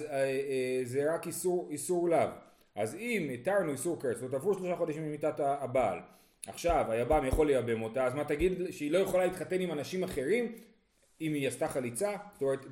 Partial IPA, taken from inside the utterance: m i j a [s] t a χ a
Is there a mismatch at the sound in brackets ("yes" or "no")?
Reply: no